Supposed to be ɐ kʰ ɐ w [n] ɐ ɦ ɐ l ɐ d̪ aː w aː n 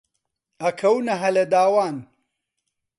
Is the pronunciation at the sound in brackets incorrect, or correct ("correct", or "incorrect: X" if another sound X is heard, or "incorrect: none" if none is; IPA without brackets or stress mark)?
correct